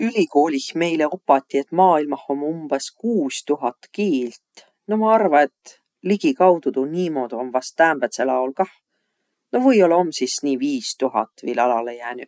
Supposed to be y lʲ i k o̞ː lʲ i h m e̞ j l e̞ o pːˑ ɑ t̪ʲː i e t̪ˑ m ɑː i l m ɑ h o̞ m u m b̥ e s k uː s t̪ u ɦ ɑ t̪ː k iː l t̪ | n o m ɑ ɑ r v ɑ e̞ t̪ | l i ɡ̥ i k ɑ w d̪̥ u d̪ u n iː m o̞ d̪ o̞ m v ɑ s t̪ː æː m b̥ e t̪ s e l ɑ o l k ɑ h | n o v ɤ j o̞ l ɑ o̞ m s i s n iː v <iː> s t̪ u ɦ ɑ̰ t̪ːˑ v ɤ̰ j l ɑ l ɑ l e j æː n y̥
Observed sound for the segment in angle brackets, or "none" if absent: iː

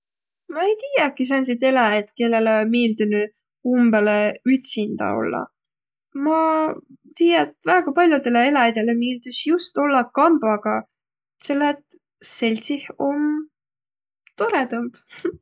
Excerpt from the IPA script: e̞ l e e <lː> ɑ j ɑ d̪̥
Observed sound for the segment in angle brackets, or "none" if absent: l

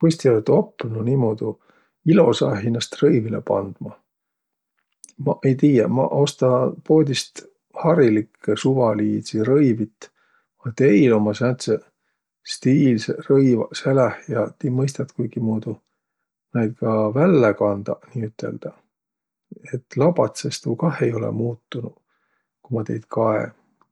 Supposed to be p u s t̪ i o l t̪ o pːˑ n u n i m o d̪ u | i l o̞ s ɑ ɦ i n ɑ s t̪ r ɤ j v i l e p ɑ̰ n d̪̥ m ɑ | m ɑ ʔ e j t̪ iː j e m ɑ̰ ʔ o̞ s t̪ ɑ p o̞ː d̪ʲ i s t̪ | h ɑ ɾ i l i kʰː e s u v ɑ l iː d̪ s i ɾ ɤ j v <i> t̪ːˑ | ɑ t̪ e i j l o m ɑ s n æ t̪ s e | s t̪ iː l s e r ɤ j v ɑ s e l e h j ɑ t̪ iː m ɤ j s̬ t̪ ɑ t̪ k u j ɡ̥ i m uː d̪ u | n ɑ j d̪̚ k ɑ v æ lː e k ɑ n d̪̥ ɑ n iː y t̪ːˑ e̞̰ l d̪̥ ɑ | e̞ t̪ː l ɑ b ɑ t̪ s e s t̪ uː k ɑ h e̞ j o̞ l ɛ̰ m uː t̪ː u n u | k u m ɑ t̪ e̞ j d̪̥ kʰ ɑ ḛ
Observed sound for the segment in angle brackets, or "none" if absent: i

